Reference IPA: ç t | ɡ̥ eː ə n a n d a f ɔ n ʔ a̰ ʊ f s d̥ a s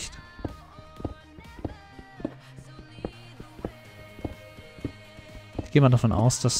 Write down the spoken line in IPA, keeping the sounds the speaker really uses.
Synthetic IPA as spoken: ç t | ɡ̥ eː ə m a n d a f ɔ n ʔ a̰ ʊ s d̥ a s

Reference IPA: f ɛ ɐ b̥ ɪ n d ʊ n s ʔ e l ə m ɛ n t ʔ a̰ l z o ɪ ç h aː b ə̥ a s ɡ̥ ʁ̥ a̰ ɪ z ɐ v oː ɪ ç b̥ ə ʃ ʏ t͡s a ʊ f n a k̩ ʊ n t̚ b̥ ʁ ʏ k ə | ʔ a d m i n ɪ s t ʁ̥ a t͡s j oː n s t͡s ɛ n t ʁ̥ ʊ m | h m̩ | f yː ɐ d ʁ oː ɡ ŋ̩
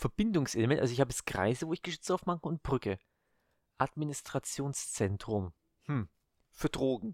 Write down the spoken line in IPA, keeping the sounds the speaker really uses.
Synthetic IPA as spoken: f ɛ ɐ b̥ ɪ n d ʊ ŋ s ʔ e l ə m ɛ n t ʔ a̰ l z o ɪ ç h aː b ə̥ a s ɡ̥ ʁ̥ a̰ ɪ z ə v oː ɪ ç ɡ̥ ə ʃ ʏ t͡s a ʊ f m a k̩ ʊ n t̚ b̥ ʁ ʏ k ə | ʔ a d m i n ɪ s t ʁ̥ a t͡s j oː n s t͡s ɛ n t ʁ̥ ʊ m | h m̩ | f yː ɐ d ʁ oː ɡ ŋ̩

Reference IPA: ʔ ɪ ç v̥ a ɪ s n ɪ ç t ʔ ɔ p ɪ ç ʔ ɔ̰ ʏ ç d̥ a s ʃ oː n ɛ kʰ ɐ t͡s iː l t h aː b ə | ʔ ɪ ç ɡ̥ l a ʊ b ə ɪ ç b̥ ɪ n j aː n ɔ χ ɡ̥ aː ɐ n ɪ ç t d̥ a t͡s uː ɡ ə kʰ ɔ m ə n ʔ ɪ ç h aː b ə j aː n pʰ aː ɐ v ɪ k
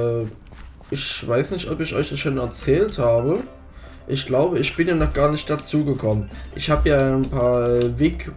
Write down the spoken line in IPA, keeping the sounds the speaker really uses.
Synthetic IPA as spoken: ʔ ɪ ç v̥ a ɪ s n ɪ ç t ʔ ɔ p ɪ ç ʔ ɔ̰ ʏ ç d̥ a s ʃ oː n ɛ ɐ t͡s ɛː l t h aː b ə | ʔ ɪ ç ɡ̥ l a ʊ b ə ɪ ç b̥ ɪ n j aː n ɔ χ ɡ̥ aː ɐ n ɪ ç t d̥ a t͡s uː ɡ ə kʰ ɔ m ə n ʔ ɪ ç h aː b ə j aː n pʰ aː ɐ v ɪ k

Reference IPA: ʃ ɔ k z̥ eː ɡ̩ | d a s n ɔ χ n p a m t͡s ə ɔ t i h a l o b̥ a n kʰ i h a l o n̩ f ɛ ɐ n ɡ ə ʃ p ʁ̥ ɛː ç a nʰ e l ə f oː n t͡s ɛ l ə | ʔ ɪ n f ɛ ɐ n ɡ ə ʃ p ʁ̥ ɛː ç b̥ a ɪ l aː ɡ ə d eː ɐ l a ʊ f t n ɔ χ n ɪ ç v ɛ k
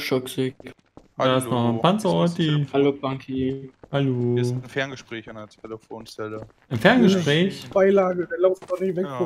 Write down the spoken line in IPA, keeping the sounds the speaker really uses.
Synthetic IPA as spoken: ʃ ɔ k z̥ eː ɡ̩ | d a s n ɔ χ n p a n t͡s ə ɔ t i h a l o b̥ a ŋ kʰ i h a l o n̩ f ɛ ɐ n ɡ ə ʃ p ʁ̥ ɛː ç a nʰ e l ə f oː n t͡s ɛ l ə | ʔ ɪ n f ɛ ɐ n ɡ ə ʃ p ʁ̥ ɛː ç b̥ a ɪ l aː ɡ ə d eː ɐ l a ʊ f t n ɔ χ n ɪ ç v ɛ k

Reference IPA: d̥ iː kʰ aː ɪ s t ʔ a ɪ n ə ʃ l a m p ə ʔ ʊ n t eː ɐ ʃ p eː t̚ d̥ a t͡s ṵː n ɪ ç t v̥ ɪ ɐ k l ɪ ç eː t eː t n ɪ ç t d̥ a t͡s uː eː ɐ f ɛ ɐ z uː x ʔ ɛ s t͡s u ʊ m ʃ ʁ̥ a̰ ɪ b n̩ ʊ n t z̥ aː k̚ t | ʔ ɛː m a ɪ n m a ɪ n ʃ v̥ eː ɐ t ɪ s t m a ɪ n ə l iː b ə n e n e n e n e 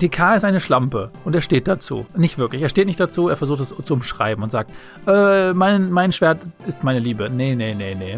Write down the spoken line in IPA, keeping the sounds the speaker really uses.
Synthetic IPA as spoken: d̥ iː kʰ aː ɪ s t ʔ a ɪ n ə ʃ l a m p ə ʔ ʊ n t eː ɐ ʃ t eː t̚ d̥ a t͡s ṵː n ɪ ç t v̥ ɪ ɐ k l ɪ ç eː t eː t n ɪ ç t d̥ a t͡s uː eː ɐ f ɛ ɐ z uː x t ɛ s t͡s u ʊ m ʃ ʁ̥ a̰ ɪ b m̩ ʊ n t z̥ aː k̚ t | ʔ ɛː m a ɪ n m a ɪ n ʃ v̥ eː ɐ t ɪ s t m a ɪ n ə l iː b ə n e n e n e n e

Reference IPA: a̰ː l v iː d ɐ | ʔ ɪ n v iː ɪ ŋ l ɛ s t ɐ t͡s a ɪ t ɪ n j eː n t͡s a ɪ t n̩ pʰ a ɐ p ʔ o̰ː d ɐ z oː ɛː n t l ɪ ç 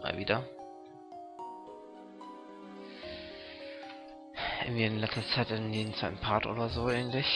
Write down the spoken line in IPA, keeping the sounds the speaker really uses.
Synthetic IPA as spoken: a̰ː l v iː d ɐ | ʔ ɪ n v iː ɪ n l ɛ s t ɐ t͡s a ɪ t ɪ n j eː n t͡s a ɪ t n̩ pʰ a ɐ t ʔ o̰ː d ɐ z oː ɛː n t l ɪ ç

